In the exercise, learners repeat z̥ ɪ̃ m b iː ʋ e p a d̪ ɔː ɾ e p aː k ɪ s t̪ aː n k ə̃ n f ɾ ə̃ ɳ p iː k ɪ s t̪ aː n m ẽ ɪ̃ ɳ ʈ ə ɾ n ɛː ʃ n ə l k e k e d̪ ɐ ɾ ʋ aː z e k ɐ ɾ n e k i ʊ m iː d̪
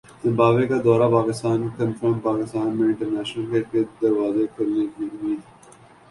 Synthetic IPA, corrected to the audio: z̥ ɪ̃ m b aː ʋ e k a d̪ ɔː ɾ a p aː k ɪ s t̪ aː n k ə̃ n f ɾ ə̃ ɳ p aː k ɪ s t̪ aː n m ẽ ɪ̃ ɳ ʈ ə ɾ n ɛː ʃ n ə l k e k e d̪ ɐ ɾ ʋ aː z e k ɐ ɾ n e k i ʊ m iː d̪